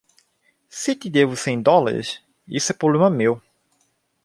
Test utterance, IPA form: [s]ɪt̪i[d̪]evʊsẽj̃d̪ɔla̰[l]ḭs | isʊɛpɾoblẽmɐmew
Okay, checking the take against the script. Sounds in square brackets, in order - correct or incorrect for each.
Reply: correct, correct, incorrect

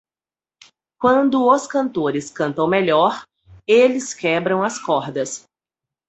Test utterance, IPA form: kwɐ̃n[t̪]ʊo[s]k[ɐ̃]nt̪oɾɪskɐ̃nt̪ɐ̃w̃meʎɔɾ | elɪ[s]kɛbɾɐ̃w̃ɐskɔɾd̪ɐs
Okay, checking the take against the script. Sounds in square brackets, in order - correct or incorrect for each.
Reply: incorrect, correct, correct, correct

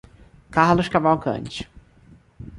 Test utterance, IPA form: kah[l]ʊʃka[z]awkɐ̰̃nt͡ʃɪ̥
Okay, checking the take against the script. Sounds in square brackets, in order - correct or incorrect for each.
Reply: correct, incorrect

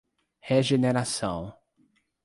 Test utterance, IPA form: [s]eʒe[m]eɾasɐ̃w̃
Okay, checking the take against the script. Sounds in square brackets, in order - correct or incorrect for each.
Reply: incorrect, incorrect

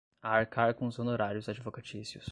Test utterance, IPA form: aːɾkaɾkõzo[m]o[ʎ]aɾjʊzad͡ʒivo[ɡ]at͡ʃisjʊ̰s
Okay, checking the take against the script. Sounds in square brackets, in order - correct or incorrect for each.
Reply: incorrect, incorrect, incorrect

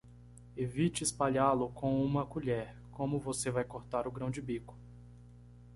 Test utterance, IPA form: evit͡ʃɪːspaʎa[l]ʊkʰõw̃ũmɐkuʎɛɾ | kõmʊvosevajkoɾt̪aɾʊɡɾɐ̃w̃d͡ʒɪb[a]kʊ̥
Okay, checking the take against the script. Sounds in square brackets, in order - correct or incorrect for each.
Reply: correct, incorrect

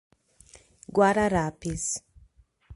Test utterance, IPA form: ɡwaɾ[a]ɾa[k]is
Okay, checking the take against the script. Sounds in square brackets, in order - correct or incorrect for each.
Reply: correct, incorrect

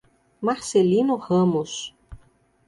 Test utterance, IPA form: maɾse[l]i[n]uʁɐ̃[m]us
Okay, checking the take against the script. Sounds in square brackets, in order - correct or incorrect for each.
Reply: correct, correct, correct

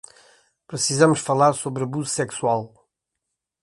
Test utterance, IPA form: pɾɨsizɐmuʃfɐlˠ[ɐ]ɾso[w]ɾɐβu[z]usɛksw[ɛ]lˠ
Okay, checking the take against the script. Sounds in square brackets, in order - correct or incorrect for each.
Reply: incorrect, incorrect, correct, incorrect

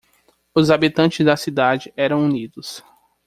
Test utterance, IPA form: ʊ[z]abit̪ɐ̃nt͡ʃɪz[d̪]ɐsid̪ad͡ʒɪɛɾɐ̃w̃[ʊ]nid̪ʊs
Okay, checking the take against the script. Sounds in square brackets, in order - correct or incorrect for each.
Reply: correct, correct, incorrect

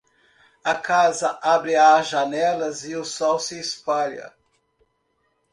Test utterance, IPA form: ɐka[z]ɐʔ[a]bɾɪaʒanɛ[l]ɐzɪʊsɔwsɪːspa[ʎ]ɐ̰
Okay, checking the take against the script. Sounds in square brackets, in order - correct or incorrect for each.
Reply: correct, correct, correct, correct

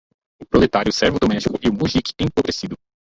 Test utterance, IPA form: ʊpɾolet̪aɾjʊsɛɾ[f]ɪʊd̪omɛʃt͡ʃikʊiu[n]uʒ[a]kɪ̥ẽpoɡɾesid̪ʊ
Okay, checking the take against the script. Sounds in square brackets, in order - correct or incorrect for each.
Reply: incorrect, incorrect, incorrect

